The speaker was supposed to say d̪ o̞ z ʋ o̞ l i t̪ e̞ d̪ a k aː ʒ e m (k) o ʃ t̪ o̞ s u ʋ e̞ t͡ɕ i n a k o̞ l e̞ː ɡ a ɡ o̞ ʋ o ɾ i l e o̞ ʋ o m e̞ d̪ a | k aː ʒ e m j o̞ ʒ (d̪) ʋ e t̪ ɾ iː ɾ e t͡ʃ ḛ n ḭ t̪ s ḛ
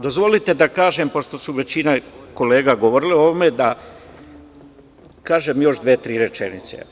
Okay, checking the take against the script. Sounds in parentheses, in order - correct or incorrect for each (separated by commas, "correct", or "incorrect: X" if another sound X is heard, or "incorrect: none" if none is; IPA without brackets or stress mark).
incorrect: p, correct